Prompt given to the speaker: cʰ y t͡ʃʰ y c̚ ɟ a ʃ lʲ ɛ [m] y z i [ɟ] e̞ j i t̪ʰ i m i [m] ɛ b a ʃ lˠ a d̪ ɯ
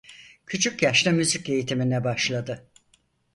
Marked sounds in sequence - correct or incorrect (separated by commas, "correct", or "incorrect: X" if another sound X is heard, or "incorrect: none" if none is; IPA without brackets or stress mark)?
correct, incorrect: c, incorrect: n